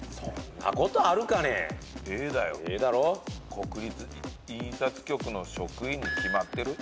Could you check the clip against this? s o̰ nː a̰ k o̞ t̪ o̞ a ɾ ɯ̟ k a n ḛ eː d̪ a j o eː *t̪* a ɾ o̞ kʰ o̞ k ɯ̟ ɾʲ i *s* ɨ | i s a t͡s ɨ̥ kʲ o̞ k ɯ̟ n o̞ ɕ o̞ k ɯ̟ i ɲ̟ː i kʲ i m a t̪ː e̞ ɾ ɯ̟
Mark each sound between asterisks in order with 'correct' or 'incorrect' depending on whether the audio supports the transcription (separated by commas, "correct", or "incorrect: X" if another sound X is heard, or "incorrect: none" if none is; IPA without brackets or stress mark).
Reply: incorrect: d̪, incorrect: t͡s